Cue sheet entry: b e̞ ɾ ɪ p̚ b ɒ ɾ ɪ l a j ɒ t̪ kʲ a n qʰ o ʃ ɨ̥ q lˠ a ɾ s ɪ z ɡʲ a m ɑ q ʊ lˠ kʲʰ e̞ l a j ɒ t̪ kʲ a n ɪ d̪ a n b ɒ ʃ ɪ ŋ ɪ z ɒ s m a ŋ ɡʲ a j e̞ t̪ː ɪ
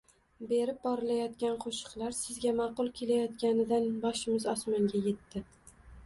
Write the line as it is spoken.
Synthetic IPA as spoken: b e̞ ɾ ɪ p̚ b ɒ ɾ ɪ l a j ɒ t̪ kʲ a n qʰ o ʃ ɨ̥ q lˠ a ɾ s ɪ z ɡʲ a m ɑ q ʊ lˠ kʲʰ e̞ l a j ɒ t̪ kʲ a n ɪ d̪ a n b ɒ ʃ ɪ m ɪ z ɒ s m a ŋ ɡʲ a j e̞ t̪ː ɪ

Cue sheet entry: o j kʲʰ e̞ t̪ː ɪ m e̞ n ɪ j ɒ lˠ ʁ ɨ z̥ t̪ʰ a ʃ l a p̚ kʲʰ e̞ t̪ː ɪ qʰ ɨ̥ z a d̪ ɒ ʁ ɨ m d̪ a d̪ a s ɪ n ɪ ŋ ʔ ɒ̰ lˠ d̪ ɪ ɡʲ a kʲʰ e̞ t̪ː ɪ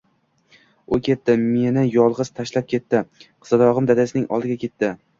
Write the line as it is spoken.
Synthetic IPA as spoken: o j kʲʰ e̞ t̪ː ɪ m e̞ n ɪ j ɒ lˠ ʁ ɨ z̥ t̪ʰ a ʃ l a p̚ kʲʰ e̞ t̪ː ɪ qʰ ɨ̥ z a d̪ ɒ ʁ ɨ m d̪ a d̪ a s ɪ n ɪ ŋ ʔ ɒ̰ lˠ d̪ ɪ ɡʲ a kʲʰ e̞ t̪ː ɪ

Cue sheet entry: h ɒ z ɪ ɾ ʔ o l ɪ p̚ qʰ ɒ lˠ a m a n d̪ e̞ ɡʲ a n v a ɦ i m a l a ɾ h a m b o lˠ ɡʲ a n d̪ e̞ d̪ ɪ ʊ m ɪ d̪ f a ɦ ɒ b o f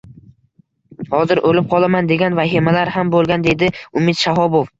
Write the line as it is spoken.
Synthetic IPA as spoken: h ɒ z ɪ ɾ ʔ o l ɪ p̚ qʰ ɒ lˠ a m a n d̪ e̞ ɡʲ a n v a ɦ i m a l a ɾ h a m b o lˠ ɡʲ a n d̪ e̞ d̪ ɪ ʊ m ɪ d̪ ʃ a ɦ ɒ b o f

